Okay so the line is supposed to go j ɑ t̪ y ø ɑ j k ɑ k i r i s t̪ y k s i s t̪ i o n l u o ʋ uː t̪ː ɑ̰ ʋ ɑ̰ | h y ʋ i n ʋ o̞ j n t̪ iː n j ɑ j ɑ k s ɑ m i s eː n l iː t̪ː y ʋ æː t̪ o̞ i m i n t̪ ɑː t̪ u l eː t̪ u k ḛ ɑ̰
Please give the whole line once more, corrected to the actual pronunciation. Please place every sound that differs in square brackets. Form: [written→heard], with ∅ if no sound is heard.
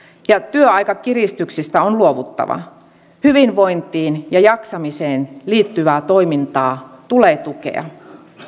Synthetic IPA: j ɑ t̪ y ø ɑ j k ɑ k i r i s t̪ y k s i s t̪ [i→æ] o n l u o ʋ [uː→u] t̪ː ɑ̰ ʋ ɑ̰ | h y ʋ i n ʋ o̞ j n t̪ iː n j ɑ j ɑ k s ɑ m i s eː n l iː t̪ː y ʋ æː t̪ o̞ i m i n t̪ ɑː t̪ u l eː t̪ u k ḛ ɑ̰